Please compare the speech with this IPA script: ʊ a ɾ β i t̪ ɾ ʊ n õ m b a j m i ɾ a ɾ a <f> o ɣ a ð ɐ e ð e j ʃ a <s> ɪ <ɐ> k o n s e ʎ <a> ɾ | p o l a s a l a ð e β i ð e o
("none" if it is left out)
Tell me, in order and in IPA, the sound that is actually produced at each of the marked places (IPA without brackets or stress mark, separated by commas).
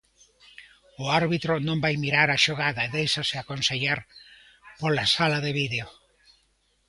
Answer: ʃ, s, a, a